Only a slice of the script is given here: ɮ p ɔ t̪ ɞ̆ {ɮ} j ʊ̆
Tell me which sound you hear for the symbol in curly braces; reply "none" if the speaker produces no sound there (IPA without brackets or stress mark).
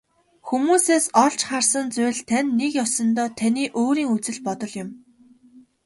ɮ